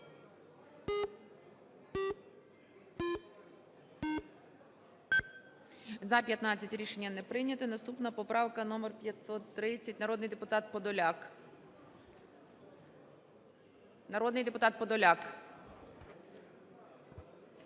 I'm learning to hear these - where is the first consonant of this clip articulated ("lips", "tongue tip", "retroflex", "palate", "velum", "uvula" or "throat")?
tongue tip